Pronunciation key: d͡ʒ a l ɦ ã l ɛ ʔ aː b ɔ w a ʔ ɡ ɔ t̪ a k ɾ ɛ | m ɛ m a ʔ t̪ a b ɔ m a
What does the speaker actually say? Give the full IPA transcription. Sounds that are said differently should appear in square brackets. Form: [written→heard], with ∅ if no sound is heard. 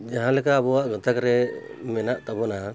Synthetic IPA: d͡ʒ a [l→∅] ɦ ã l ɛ [ʔ→k] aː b ɔ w a ʔ ɡ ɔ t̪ a k ɾ ɛ | m ɛ [m→n] a ʔ t̪ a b ɔ [m→n] a